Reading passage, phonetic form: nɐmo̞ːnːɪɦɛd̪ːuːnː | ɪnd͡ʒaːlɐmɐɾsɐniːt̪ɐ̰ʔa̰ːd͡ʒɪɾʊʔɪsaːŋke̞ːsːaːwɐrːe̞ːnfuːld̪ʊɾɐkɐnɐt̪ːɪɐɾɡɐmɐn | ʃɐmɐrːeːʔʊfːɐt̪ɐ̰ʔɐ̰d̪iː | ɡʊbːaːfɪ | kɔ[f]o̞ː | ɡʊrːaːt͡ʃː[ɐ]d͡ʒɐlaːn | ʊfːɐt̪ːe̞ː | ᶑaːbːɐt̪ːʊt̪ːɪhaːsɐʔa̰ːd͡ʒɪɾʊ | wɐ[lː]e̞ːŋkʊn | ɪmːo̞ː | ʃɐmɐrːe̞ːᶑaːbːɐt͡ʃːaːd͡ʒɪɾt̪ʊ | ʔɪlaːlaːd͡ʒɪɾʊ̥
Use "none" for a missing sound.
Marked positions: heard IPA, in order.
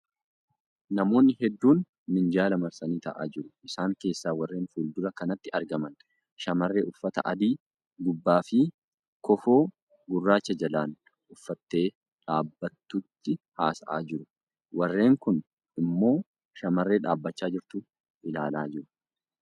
f, ɐ, rː

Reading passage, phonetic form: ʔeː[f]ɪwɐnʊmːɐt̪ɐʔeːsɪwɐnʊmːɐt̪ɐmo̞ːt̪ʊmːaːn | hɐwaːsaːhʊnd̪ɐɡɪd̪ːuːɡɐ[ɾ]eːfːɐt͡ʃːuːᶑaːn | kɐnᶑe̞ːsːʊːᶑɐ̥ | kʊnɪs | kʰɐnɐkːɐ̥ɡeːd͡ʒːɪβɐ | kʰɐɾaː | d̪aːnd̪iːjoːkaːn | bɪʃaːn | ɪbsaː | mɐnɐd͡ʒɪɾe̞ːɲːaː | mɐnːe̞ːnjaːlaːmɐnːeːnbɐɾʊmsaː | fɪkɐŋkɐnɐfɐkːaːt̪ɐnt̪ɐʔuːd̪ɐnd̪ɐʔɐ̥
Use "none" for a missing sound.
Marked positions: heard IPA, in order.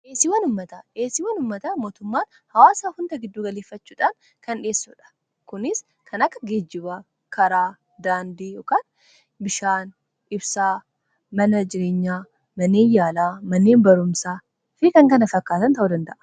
s, l

